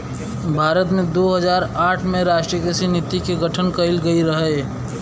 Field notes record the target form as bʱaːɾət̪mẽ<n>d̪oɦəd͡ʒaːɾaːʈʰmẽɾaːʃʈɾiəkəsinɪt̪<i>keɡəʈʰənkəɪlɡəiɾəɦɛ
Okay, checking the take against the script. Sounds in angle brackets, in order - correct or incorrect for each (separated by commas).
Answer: incorrect, correct